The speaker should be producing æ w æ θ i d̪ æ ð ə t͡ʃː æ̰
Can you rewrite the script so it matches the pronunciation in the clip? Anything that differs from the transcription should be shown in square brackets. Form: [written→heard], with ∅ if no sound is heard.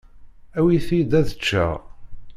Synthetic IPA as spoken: æ w [æ→i] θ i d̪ æ ð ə t͡ʃː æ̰